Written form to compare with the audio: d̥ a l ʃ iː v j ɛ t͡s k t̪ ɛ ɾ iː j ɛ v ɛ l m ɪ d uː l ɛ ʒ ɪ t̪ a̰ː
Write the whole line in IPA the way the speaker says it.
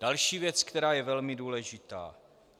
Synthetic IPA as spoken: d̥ a l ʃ iː v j ɛ t͡s k t̪ ɛ ɾ aː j ɛ v ɛ l m ɪ d uː l ɛ ʒ ɪ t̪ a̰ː